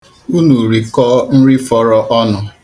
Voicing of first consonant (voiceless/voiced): voiced